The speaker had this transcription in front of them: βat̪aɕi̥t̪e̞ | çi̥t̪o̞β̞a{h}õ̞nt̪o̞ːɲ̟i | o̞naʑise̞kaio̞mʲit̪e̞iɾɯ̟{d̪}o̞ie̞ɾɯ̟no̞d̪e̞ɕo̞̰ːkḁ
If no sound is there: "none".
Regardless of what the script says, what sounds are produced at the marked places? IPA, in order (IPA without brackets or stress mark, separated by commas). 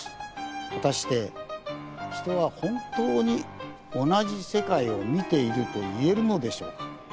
h, t̪